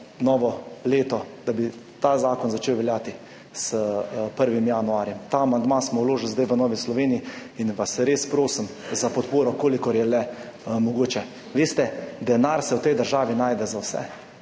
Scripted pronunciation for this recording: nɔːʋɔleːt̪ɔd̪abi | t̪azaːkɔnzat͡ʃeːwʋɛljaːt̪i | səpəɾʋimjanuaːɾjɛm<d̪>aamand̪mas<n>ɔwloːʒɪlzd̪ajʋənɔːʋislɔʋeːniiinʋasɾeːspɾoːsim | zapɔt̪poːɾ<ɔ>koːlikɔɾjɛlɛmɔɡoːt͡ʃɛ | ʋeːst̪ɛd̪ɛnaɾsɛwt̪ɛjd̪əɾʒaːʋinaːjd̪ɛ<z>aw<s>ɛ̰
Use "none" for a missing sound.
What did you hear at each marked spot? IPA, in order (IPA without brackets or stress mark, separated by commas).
t̪, m, ɔ, z, s